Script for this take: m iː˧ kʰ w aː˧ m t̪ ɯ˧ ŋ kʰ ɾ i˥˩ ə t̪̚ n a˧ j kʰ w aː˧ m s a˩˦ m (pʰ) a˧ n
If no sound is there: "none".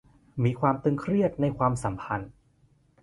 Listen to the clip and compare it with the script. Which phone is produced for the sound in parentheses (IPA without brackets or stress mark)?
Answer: pʰ